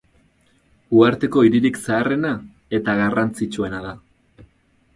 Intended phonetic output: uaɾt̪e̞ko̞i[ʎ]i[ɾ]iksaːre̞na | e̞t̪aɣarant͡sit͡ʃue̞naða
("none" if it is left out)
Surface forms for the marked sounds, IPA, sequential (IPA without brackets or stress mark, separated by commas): ɾ, ɾ